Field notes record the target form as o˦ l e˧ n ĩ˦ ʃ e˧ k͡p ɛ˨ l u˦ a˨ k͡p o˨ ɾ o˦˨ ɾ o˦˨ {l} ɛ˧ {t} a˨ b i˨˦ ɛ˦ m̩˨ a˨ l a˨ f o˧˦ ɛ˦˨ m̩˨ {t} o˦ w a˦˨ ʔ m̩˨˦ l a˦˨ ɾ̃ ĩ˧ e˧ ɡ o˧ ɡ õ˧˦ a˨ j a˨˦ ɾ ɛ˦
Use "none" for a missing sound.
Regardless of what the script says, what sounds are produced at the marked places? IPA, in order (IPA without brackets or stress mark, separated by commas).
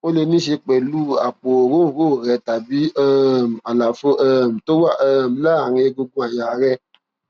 ɾ, t, t